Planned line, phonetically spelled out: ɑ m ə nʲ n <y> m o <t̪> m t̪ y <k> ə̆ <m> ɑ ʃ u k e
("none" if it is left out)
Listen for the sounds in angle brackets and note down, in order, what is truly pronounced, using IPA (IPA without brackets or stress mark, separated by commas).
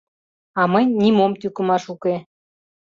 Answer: i, none, k, m